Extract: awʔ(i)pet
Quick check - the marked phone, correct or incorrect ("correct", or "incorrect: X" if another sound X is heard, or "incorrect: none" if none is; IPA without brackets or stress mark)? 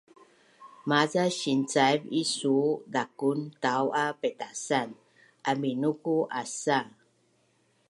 incorrect: a